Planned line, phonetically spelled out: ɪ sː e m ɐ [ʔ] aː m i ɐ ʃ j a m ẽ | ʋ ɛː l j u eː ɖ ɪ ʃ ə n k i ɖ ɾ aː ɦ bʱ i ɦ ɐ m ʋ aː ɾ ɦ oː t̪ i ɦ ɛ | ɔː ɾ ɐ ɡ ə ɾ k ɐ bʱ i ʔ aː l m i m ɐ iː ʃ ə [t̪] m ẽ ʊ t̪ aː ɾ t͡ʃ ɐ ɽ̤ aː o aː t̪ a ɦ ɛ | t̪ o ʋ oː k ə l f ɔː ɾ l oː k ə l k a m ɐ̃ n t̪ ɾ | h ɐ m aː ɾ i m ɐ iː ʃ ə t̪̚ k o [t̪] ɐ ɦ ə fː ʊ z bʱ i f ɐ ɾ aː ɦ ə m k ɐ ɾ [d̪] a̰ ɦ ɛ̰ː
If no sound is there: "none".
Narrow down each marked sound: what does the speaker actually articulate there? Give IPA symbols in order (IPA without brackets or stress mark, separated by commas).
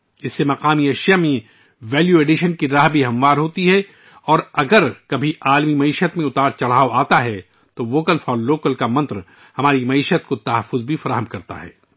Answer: q, t̪, t̪, t̪